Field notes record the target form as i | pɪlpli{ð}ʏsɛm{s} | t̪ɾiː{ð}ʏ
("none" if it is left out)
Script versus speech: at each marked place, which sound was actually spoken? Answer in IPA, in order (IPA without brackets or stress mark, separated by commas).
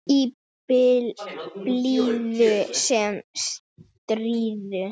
ð, s, ð